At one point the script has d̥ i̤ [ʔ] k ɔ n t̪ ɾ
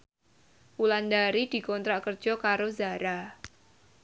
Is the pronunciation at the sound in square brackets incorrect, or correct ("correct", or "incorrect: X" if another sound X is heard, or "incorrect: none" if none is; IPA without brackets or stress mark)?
incorrect: none